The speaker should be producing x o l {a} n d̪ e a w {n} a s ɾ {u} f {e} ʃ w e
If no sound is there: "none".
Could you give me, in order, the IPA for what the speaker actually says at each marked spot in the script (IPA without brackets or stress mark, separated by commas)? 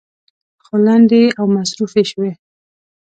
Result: a, m, u, e